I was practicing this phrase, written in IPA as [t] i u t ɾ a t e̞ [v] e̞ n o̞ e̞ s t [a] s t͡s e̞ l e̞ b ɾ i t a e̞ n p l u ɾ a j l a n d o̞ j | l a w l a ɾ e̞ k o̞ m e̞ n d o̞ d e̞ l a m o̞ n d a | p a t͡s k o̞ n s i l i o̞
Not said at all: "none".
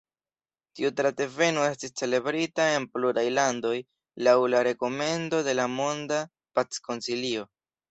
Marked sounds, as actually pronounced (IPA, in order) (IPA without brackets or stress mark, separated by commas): t, v, i